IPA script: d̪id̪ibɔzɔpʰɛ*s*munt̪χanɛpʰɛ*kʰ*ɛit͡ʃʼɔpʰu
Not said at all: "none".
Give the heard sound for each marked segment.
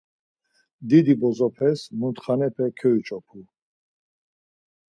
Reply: s, kʰ

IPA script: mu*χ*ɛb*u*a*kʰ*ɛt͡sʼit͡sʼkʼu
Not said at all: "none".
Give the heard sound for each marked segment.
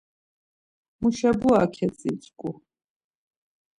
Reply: ʃ, u, kʰ

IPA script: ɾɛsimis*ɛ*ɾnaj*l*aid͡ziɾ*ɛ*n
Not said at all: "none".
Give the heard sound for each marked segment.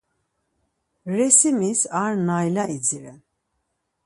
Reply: a, l, ɛ

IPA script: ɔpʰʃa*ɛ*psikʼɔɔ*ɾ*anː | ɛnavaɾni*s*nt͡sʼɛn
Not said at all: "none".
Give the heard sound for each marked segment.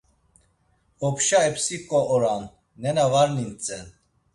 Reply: ɛ, ɾ, none

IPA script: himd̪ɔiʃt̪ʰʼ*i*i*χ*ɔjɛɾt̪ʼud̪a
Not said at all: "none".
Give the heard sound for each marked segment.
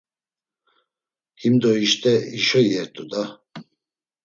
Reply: ɛ, ʃ

